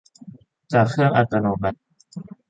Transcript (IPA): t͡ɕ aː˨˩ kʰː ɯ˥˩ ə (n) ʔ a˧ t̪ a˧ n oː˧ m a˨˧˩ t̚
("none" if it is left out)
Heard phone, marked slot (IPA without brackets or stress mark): ŋ